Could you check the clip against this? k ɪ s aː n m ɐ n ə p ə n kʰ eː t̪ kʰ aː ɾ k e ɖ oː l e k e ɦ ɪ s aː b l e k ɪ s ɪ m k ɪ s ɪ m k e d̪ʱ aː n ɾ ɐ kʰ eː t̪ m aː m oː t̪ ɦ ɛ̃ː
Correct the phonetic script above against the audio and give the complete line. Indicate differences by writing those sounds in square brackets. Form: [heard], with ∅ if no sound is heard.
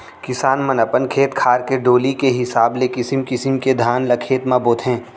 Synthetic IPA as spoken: k ɪ s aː n m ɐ n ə p ə n kʰ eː t̪ kʰ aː ɾ k e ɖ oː l [i] k e ɦ ɪ s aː b l e k ɪ s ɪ m k ɪ s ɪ m k e d̪ʱ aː n [l] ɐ kʰ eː t̪ m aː [b] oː t̪ ɦ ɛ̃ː